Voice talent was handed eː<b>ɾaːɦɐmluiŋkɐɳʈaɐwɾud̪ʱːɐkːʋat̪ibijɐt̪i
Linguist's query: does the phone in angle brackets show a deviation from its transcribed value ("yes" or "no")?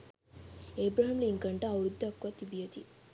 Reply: no